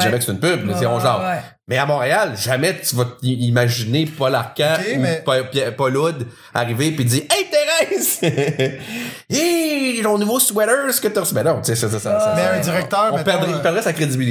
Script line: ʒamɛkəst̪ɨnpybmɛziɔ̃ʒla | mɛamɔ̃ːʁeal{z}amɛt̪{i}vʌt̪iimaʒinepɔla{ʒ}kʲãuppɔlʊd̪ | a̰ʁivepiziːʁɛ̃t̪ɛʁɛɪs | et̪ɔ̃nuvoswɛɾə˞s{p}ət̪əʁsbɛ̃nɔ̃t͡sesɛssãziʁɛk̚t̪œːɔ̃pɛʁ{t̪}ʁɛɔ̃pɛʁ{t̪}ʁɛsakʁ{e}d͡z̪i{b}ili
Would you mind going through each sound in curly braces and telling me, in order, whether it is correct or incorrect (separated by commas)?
incorrect, incorrect, incorrect, incorrect, incorrect, incorrect, correct, correct